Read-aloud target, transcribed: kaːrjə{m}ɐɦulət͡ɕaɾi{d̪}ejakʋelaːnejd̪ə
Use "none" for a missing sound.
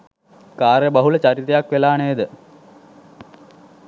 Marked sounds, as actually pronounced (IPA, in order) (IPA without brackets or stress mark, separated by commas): b, t̪